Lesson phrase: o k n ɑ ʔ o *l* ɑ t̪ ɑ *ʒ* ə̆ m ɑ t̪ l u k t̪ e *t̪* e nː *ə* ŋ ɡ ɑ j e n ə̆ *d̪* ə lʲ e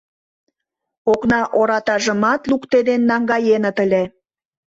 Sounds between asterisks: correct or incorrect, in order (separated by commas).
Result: incorrect, correct, incorrect, incorrect, incorrect